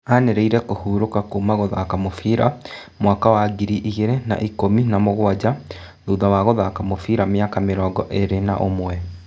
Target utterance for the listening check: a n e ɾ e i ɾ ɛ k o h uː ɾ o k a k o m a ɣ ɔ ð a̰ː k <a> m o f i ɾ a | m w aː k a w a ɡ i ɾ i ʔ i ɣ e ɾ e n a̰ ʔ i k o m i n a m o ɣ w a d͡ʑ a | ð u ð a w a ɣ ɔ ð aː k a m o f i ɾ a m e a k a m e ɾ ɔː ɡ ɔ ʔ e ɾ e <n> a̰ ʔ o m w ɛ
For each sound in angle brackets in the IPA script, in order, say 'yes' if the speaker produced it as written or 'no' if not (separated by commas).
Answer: yes, yes